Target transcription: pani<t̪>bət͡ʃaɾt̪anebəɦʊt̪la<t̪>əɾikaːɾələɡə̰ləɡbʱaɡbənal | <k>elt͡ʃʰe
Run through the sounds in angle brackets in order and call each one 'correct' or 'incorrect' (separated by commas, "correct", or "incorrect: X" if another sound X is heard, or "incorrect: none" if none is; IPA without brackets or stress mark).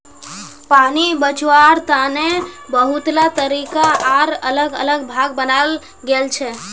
incorrect: none, correct, incorrect: ɡ